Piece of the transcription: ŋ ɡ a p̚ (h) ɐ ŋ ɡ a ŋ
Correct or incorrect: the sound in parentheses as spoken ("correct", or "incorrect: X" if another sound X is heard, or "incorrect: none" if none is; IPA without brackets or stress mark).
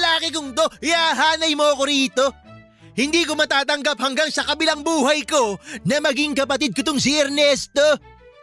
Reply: correct